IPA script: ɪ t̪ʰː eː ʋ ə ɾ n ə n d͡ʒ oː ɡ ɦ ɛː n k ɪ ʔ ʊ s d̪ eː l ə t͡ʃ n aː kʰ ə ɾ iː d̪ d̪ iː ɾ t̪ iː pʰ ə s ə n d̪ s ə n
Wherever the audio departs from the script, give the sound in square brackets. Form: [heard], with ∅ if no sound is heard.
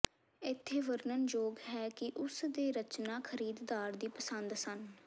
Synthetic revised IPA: ɪ t̪ʰː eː ʋ ə ɾ n ə n d͡ʒ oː ɡ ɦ ɛː [∅] k ɪ ʔ ʊ s d̪ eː [ɾ] ə t͡ʃ n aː kʰ ə ɾ iː d̪ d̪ [aː] ɾ [d̪] iː [p] ə s ə n d̪ s ə n